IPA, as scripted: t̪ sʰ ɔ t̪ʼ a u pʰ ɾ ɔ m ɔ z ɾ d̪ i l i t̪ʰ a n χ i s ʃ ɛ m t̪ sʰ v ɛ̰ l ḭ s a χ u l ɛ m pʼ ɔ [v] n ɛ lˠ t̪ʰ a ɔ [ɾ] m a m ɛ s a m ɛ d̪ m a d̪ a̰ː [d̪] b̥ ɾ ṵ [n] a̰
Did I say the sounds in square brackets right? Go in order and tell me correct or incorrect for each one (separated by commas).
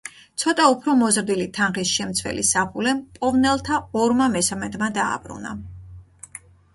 correct, correct, incorrect, correct